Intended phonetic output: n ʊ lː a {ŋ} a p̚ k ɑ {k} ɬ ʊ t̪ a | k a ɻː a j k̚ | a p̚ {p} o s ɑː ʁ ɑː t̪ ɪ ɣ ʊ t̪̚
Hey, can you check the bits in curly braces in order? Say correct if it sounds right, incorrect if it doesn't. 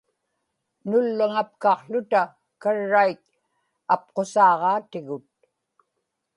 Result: correct, incorrect, incorrect

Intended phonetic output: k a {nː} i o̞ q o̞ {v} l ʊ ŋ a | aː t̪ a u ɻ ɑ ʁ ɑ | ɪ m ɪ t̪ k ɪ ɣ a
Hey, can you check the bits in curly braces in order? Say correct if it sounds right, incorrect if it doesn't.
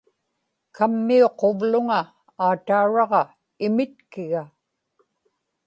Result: incorrect, correct

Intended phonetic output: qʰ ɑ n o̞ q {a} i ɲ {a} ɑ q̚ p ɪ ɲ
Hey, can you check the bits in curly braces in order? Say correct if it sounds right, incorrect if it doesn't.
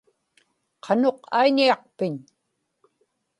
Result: correct, incorrect

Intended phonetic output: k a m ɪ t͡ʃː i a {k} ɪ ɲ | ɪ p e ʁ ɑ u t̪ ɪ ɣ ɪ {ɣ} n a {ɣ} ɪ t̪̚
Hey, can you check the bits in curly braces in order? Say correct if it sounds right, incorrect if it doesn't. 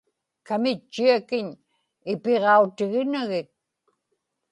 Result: correct, incorrect, correct

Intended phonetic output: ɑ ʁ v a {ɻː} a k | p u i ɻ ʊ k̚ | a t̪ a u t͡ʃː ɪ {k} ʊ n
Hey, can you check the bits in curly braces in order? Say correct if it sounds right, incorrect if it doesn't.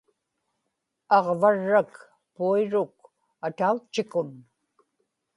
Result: correct, correct

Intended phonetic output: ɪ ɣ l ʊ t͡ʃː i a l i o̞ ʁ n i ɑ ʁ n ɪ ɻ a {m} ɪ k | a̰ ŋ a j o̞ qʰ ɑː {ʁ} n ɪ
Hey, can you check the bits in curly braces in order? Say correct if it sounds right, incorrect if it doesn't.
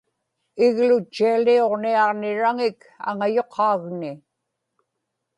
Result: incorrect, incorrect

